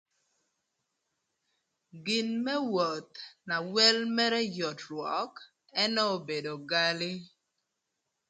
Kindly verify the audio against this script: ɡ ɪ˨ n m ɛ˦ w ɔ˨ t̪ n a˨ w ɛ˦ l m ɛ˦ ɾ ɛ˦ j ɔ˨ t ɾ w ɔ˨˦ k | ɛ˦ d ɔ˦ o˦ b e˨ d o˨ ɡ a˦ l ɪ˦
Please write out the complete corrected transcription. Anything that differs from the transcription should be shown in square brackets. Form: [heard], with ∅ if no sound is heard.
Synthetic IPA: ɡ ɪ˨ n m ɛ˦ w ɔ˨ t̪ n a˨ w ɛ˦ l m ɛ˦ ɾ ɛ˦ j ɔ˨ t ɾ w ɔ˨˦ k | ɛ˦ [n] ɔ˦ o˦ b e˨ d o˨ ɡ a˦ l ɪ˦